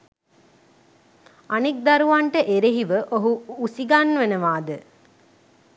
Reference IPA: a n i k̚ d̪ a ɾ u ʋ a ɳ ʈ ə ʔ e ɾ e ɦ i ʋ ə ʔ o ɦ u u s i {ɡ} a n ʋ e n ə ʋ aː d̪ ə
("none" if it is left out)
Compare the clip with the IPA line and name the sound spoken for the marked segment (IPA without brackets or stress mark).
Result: ɡ